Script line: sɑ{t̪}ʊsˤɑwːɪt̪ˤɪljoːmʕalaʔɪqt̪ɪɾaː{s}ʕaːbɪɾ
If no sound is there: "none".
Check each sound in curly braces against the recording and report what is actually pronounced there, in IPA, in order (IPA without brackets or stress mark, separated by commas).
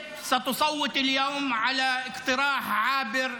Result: t̪, ħ